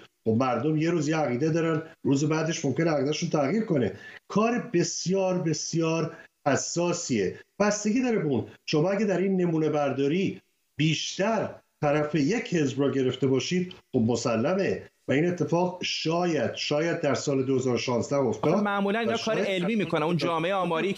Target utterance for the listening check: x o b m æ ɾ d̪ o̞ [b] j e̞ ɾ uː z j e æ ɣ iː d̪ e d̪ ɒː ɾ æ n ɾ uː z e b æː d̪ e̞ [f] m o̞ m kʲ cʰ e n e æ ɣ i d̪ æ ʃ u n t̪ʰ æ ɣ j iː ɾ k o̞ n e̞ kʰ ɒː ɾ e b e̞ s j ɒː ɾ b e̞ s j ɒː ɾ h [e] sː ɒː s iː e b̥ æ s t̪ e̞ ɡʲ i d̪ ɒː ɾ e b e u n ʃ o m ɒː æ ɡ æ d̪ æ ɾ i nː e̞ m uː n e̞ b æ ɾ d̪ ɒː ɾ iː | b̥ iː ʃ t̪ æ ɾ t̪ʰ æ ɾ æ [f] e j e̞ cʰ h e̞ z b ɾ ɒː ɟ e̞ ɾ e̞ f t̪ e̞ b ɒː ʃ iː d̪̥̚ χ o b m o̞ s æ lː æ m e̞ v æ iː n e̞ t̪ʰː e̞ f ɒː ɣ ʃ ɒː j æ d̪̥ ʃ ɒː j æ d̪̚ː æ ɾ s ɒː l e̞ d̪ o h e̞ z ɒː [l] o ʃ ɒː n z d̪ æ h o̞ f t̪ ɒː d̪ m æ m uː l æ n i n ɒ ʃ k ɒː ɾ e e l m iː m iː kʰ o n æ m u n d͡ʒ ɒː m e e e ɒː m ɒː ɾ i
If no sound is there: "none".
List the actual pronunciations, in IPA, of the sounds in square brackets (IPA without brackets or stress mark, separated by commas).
m, ʃ, æ, f, ɾ